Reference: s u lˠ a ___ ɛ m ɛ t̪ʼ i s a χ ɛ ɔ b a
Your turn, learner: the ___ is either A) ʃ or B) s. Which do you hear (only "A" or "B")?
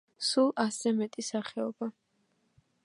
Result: B